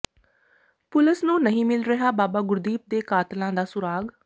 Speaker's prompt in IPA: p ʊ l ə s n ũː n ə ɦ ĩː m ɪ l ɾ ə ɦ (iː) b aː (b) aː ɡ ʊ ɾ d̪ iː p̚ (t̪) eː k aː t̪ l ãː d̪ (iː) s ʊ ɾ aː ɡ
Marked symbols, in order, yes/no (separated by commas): no, yes, no, no